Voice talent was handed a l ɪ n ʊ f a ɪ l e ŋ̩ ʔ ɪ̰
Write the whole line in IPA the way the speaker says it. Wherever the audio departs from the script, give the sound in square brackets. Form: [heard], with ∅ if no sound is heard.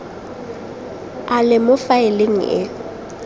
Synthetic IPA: a l ɪ [m] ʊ f a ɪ l e ŋ̩ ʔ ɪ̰